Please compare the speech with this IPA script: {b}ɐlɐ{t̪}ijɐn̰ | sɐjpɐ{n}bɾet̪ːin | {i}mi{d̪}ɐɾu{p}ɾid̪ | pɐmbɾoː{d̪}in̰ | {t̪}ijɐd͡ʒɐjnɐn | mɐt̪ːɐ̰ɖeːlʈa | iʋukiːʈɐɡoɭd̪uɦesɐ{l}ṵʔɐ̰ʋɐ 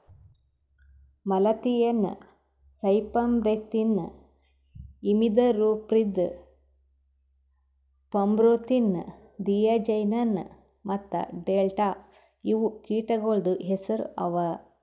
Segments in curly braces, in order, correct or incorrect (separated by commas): incorrect, correct, incorrect, correct, correct, correct, incorrect, incorrect, incorrect